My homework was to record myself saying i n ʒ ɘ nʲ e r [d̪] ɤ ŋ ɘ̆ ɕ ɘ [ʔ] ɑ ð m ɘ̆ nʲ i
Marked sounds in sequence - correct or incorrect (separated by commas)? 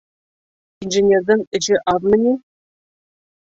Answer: correct, correct